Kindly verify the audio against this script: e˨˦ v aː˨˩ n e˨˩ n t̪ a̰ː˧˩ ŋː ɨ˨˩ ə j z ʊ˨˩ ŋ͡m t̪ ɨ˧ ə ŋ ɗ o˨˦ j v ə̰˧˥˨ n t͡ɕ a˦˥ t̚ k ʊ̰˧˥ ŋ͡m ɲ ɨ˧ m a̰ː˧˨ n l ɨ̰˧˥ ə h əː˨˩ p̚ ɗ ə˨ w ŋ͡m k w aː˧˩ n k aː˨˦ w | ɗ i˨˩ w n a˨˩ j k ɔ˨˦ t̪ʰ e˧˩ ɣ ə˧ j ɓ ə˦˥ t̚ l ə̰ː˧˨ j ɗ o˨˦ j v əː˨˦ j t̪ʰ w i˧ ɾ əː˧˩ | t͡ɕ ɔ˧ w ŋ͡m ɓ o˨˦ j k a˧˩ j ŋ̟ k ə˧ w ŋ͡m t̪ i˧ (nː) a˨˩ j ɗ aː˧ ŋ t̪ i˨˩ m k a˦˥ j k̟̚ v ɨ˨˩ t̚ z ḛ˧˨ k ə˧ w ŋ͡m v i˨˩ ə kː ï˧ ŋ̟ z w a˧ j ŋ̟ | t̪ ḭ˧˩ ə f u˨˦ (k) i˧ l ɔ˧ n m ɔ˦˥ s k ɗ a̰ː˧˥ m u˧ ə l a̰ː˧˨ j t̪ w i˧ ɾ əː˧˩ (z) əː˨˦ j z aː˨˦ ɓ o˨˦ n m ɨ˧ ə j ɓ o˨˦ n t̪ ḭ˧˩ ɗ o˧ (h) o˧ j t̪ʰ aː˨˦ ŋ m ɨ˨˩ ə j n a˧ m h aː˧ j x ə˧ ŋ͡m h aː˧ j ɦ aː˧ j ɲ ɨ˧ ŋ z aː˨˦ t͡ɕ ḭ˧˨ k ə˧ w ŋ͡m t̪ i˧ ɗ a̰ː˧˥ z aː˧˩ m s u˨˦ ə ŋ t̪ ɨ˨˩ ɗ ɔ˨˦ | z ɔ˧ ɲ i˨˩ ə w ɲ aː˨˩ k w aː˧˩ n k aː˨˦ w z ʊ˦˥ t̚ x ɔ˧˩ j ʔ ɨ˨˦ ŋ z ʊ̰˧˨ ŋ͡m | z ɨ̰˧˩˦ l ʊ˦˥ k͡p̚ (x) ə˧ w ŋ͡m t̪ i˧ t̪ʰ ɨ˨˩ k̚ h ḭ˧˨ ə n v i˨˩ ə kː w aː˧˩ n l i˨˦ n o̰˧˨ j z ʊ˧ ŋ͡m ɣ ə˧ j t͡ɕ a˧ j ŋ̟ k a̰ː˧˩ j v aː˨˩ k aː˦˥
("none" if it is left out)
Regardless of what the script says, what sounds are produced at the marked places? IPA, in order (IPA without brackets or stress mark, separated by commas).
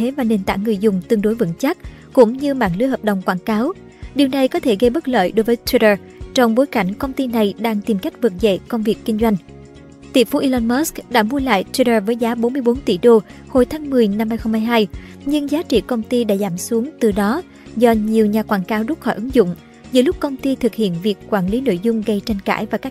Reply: n, ʔ, v, h, k